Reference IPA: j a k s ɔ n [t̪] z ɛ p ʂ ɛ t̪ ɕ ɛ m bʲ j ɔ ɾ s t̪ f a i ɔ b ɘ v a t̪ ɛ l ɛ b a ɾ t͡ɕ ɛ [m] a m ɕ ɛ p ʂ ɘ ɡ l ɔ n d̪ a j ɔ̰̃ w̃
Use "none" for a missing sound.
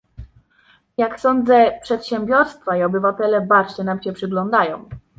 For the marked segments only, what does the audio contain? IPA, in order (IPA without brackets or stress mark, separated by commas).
d̪, n